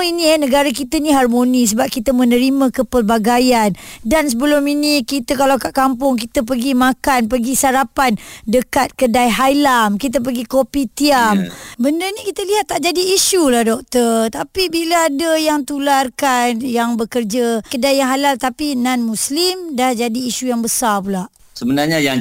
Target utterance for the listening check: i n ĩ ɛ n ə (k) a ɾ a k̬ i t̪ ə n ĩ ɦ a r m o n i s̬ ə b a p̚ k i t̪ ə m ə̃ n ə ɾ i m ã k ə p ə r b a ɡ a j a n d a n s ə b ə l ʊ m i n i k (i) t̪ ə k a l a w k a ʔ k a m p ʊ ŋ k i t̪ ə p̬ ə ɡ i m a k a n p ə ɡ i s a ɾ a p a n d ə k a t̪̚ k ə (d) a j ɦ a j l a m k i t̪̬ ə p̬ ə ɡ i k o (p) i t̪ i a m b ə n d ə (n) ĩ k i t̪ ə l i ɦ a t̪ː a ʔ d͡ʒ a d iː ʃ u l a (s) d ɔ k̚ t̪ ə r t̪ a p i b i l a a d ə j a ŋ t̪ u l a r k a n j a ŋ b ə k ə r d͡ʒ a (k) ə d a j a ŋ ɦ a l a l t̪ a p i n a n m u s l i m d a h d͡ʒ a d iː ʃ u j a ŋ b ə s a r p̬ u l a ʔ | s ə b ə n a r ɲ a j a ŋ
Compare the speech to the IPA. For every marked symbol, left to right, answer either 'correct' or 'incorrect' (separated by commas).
incorrect, correct, correct, correct, correct, incorrect, correct